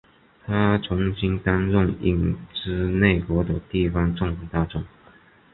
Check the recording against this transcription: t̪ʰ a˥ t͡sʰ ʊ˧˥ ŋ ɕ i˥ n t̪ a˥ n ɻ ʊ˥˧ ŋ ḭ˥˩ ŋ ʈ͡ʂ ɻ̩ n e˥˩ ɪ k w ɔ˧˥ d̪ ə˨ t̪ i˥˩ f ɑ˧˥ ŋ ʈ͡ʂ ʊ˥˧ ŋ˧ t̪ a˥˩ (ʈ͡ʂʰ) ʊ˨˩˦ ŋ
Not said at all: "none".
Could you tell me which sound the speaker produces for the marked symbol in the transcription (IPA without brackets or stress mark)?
ʈ͡ʂ